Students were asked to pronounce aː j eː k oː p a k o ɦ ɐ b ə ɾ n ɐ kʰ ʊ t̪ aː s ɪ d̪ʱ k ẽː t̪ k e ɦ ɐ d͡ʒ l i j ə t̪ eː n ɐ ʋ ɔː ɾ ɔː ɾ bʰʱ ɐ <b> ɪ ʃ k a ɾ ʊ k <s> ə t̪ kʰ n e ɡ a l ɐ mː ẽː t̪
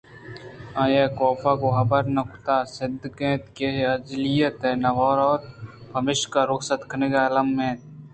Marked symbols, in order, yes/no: no, yes

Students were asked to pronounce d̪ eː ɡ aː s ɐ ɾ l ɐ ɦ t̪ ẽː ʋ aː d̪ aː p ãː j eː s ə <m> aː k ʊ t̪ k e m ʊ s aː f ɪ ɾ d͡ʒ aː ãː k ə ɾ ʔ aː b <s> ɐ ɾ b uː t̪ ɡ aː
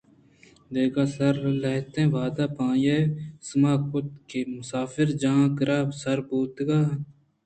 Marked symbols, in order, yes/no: yes, yes

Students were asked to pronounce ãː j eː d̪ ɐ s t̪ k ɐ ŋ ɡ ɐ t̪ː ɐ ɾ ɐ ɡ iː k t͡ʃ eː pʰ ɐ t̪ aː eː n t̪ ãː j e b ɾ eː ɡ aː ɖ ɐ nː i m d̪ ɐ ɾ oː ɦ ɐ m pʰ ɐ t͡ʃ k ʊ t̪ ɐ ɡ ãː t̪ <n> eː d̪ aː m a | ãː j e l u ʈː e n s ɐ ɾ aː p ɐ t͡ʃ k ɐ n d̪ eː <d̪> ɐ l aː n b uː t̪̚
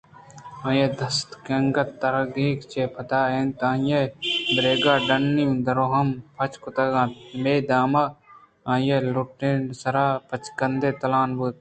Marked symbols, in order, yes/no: no, no

